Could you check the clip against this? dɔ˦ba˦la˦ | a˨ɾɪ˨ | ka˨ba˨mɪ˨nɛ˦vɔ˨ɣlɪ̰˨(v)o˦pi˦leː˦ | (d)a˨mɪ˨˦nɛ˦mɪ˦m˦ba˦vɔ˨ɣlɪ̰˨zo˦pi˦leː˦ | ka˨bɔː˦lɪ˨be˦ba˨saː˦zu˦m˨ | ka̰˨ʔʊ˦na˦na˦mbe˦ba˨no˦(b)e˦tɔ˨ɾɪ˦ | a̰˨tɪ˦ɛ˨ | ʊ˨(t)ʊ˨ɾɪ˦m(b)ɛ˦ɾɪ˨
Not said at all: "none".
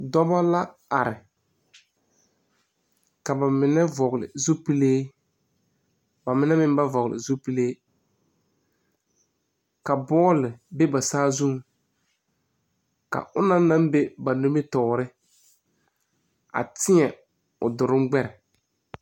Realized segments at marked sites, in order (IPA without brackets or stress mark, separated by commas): z, b, m, d, ɡ͡b